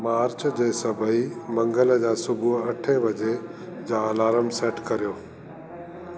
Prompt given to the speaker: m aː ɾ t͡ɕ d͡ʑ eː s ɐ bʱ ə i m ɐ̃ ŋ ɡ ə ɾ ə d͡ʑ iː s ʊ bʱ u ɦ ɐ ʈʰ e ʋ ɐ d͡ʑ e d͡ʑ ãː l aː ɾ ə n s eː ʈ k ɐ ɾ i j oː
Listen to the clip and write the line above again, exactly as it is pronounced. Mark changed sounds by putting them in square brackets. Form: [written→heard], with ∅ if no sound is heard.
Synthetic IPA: m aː ɾ t͡ɕ d͡ʑ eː s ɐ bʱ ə i m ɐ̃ ŋ ɡ ə [ɾ→l] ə d͡ʑ [iː→aː] s ʊ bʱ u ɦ ɐ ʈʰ e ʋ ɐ d͡ʑ e d͡ʑ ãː l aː ɾ ə [n→m] s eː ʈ k ɐ ɾ i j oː